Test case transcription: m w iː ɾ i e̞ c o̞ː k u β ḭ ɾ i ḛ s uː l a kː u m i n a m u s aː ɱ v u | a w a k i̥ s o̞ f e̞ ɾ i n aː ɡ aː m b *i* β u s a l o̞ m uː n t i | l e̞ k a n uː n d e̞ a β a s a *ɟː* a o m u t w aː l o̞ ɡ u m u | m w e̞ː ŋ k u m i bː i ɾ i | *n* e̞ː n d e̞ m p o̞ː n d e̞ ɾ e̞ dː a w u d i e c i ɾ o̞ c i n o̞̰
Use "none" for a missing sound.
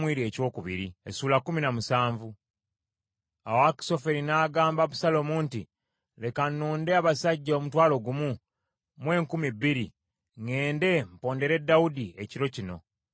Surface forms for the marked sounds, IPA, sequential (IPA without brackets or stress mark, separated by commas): a, ɟː, ŋ